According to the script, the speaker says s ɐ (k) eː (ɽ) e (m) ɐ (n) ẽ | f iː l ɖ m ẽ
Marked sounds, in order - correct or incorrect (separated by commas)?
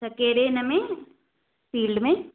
correct, incorrect, incorrect, incorrect